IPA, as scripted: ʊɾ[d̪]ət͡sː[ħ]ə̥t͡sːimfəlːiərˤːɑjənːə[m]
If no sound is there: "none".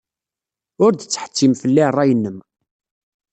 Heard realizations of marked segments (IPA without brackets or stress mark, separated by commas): d̪, ħ, m